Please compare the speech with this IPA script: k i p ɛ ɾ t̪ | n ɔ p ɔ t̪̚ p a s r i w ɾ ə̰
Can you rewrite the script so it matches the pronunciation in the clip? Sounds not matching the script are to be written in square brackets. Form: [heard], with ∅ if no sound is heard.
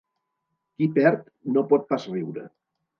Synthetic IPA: k i p ɛ ɾ t̪ | n [o] p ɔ t̪̚ p a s r i w ɾ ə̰